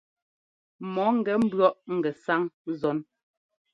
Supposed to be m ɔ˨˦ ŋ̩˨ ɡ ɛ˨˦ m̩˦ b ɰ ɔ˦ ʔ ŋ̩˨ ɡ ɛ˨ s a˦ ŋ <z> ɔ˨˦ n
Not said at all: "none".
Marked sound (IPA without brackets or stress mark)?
z